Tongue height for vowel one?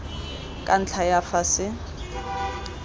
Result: low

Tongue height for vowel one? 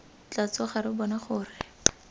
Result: low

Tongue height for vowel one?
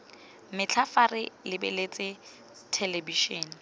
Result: high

